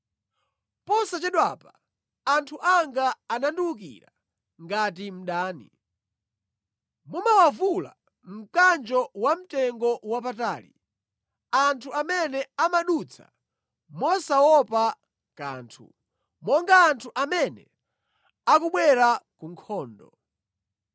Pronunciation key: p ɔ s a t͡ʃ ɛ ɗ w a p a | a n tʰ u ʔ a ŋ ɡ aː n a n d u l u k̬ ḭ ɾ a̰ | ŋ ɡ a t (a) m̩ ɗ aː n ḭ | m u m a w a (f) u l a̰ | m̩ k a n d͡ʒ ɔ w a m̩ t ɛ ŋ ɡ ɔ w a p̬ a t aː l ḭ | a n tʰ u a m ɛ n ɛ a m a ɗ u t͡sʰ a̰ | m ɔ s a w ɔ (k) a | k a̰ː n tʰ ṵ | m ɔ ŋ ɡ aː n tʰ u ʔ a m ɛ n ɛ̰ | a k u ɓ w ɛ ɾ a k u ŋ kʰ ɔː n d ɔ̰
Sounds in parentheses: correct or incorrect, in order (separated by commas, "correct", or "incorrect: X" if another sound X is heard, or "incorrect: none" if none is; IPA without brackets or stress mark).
incorrect: i, incorrect: v, incorrect: p